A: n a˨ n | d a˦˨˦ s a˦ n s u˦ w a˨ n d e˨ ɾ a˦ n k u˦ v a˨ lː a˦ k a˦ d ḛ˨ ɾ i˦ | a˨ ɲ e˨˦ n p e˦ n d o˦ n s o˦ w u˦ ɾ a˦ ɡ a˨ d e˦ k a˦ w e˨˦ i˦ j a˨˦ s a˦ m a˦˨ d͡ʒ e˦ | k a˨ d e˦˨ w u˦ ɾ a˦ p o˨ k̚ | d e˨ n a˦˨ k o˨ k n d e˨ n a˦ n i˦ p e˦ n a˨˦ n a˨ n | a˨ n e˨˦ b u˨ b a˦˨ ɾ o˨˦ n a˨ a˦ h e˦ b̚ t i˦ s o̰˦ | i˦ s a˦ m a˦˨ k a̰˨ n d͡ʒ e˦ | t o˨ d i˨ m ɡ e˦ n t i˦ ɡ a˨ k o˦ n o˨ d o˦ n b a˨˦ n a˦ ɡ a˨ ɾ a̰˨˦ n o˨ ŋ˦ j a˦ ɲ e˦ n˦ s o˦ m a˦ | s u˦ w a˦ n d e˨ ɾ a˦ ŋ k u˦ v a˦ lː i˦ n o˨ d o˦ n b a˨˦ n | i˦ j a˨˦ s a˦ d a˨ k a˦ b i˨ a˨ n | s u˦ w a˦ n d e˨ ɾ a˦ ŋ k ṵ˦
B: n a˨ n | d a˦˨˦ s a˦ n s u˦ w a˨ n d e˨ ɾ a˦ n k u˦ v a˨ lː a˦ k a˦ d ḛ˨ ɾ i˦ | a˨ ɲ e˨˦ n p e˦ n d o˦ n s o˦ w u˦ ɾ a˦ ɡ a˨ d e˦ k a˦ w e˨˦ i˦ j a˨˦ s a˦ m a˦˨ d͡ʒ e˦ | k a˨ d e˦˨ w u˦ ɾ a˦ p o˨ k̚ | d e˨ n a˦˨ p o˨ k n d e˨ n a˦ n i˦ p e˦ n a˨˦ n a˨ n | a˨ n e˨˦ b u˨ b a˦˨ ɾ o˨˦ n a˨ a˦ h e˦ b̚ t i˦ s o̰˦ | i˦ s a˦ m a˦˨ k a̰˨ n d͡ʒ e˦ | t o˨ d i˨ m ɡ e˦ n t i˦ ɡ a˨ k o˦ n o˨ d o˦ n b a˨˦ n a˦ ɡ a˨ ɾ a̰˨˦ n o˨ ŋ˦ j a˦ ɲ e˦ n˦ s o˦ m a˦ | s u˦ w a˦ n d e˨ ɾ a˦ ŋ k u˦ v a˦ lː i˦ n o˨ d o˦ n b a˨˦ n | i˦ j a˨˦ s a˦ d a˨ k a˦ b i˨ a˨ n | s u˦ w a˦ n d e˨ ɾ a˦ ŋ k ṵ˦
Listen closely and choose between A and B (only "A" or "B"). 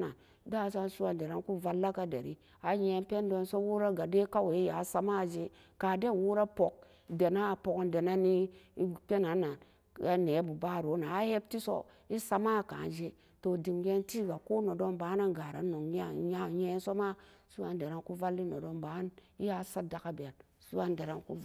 B